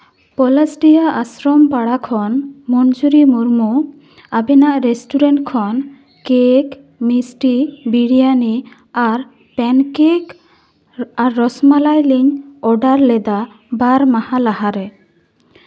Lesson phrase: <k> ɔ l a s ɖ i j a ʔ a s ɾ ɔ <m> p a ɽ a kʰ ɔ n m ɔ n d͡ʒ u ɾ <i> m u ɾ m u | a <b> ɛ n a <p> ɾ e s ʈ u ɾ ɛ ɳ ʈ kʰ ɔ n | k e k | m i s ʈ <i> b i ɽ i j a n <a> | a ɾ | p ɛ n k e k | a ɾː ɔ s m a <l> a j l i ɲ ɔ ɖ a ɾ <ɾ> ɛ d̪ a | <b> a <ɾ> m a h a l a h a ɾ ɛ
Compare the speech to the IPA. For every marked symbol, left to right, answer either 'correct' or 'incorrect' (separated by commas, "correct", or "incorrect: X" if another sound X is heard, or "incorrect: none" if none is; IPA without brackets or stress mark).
incorrect: p, correct, correct, correct, incorrect: ʔ, correct, incorrect: i, correct, incorrect: l, correct, correct